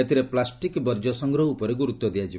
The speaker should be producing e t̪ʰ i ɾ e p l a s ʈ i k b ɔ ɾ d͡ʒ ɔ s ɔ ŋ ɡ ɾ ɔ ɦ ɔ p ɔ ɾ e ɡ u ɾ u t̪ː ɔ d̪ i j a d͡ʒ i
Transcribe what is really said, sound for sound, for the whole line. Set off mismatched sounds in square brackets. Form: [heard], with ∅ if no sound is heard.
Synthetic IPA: e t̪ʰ i ɾ e p l a s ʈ i k b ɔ ɾ d͡ʒ ɔ s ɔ ŋ ɡ ɾ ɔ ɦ [u] p ɔ ɾ e ɡ u ɾ u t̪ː ɔ d̪ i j a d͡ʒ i